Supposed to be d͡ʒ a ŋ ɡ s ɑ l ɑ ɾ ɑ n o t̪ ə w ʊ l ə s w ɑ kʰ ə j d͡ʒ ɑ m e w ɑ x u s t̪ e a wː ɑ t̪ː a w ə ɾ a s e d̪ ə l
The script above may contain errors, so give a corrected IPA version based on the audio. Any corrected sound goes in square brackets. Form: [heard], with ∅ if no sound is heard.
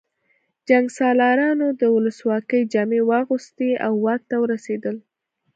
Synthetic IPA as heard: d͡ʒ a ŋ ɡ s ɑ l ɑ ɾ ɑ n o [d̪] ə w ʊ l ə s w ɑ [k] ə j d͡ʒ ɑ m e w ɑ [ɣ] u s t̪ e a wː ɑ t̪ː a w ə ɾ a s e d̪ ə l